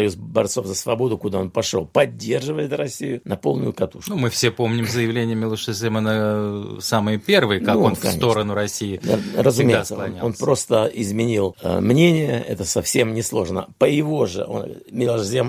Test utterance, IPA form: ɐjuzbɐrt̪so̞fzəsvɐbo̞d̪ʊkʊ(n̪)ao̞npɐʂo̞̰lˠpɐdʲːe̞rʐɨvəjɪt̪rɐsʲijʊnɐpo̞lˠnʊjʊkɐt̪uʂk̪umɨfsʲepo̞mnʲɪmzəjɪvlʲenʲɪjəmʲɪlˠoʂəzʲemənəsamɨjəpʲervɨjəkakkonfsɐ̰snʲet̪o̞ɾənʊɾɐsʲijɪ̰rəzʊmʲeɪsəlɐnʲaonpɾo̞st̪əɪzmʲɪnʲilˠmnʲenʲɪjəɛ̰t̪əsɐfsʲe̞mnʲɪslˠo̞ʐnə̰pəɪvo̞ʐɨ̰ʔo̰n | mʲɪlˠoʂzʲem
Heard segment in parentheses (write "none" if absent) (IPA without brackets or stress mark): d̪